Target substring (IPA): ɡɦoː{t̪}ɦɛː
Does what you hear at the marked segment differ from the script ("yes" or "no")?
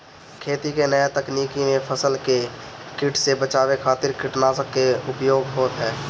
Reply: no